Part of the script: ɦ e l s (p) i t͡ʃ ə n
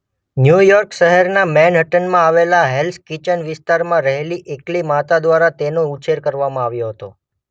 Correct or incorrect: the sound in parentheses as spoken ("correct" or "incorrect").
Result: incorrect